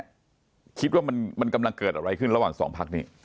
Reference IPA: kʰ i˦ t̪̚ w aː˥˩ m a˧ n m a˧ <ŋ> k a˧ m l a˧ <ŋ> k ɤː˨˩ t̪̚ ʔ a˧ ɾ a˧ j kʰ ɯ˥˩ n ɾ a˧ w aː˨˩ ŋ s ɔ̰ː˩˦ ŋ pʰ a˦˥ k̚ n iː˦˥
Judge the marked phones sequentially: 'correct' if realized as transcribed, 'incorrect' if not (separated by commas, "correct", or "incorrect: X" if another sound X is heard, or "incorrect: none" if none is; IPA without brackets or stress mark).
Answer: incorrect: n, correct